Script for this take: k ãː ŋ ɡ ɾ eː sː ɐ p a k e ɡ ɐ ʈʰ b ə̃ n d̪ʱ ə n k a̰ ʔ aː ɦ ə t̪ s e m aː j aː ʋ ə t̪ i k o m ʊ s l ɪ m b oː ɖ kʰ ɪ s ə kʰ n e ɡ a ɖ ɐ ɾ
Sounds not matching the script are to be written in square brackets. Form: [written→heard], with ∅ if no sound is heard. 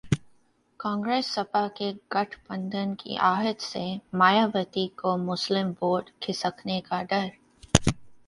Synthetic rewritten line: k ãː ŋ ɡ ɾ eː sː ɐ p a k e ɡ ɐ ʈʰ b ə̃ n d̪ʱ ə n k [a̰→ḭ] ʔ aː ɦ ə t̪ s e m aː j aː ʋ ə t̪ i k o m ʊ s l ɪ m b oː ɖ kʰ ɪ s ə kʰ n e [ɡ→k] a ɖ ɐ ɾ